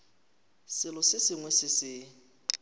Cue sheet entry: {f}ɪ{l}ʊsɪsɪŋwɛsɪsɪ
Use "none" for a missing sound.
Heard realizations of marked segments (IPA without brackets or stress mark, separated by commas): s, l